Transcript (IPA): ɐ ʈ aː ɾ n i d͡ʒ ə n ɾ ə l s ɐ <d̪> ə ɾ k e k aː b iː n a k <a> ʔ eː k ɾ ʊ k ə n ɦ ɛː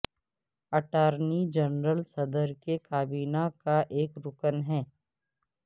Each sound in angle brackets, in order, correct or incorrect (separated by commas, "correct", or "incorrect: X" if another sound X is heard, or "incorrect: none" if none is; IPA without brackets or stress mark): correct, correct